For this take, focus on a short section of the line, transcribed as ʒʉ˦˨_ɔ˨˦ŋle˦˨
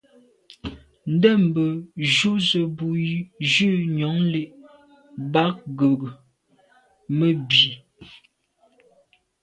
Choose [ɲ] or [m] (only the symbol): ɲ